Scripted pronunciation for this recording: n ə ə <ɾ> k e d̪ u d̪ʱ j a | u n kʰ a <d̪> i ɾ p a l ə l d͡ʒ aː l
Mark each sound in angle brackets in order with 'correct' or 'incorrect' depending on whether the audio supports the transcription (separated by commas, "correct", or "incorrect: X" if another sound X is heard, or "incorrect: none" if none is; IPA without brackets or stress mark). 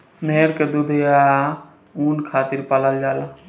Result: correct, incorrect: t̪